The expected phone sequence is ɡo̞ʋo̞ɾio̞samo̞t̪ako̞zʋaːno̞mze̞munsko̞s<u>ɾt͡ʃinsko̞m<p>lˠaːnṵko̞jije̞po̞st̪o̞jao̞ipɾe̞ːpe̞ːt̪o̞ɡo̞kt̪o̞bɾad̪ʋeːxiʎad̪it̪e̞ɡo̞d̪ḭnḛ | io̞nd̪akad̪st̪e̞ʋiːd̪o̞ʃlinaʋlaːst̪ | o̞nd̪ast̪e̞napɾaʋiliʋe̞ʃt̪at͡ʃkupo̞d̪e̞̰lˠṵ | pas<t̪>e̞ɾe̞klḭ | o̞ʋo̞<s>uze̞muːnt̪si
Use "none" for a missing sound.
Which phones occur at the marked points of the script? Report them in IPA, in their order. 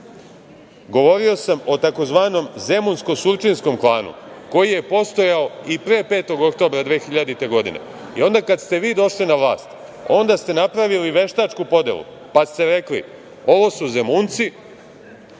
u, k, t̪, s

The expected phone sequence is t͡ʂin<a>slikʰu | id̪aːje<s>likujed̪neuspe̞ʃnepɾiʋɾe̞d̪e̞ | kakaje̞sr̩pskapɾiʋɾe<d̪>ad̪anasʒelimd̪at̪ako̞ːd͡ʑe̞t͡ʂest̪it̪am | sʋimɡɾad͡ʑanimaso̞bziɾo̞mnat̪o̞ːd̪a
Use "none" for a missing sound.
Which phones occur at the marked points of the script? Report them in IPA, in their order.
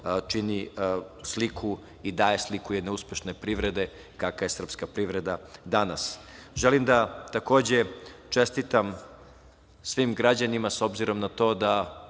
i, s, d̪

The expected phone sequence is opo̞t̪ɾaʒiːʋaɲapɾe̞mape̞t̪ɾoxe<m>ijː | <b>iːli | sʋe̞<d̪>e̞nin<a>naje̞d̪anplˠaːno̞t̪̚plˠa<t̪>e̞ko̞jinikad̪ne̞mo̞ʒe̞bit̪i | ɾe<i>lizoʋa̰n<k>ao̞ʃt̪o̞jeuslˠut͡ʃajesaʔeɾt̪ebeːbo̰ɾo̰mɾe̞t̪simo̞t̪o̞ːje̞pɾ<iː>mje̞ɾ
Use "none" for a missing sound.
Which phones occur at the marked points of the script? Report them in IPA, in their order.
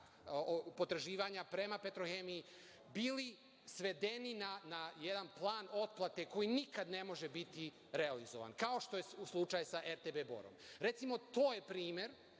m, b, d̪, a, t̪, a, k, iː

